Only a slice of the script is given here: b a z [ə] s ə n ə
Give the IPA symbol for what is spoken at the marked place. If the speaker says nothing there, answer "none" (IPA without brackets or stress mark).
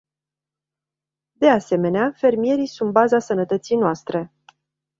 a